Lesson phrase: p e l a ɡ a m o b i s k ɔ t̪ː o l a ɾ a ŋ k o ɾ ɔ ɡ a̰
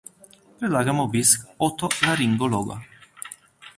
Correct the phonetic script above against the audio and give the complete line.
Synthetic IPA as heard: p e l a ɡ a m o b i s k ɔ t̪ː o l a ɾ i ŋ ɡ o l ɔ ɡ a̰